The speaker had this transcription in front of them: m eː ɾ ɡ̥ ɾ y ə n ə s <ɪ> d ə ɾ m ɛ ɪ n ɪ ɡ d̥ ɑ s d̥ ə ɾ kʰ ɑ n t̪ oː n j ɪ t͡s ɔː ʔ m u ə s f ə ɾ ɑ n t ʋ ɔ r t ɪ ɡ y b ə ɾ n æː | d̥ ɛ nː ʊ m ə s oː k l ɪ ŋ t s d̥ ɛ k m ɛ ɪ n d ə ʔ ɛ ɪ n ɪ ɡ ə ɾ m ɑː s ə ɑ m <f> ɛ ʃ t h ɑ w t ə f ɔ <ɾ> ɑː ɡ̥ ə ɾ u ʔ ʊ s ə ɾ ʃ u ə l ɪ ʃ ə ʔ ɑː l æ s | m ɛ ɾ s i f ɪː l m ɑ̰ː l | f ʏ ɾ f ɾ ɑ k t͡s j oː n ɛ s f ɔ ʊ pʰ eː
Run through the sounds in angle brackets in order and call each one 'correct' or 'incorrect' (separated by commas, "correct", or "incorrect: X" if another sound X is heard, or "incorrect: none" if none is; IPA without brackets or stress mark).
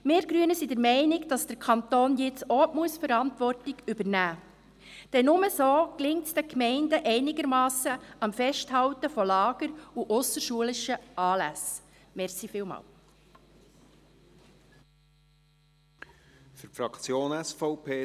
incorrect: i, correct, incorrect: l